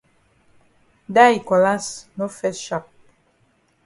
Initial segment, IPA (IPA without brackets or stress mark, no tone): d